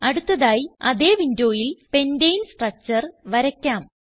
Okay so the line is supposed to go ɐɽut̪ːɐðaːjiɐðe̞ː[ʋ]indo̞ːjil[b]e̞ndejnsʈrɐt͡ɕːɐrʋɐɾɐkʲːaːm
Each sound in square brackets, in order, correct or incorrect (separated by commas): correct, incorrect